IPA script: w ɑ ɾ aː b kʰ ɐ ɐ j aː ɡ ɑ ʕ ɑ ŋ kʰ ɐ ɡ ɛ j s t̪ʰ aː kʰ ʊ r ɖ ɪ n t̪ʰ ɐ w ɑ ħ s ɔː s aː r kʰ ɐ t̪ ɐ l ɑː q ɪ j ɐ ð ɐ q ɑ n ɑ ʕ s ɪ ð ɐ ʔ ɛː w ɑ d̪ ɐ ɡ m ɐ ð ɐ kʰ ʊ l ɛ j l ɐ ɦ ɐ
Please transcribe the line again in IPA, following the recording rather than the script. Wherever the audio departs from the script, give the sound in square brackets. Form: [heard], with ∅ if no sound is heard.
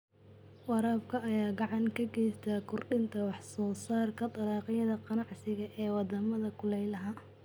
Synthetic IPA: w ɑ ɾ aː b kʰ ɐ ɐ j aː ɡ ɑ ʕ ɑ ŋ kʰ ɐ ɡ ɛ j s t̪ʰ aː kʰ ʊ r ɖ ɪ n t̪ʰ ɐ w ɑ ħ s ɔː s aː r kʰ ɐ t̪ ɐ l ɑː q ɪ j ɐ ð ɐ q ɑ n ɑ ʕ s ɪ [ɣ] ɐ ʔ ɛː w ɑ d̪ ɐ [∅] m ɐ ð ɐ kʰ ʊ l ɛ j l ɐ ɦ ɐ